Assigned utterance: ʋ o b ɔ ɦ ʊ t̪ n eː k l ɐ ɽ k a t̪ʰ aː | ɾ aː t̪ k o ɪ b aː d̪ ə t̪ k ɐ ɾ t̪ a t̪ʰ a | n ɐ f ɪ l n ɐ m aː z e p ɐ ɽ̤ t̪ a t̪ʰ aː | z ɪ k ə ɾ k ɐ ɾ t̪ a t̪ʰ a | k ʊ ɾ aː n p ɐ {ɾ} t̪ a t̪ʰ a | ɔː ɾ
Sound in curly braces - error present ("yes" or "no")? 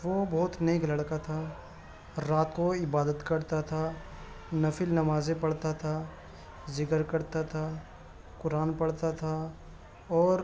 yes